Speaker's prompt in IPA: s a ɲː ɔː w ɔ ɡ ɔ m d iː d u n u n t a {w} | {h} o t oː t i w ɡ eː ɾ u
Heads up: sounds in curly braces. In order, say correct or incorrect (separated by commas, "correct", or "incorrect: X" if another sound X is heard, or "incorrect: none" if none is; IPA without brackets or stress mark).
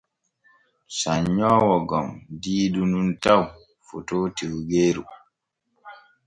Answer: correct, incorrect: f